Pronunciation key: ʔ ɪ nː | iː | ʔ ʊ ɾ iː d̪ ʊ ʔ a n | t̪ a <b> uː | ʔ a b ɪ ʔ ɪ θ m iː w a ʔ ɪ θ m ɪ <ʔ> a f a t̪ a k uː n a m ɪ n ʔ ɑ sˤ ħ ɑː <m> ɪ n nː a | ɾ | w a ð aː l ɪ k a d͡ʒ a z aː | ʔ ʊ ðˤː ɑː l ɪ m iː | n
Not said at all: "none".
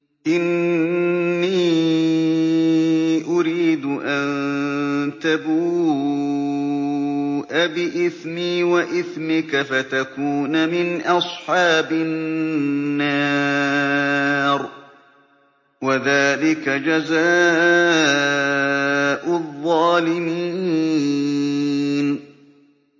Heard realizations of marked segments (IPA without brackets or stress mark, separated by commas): b, k, b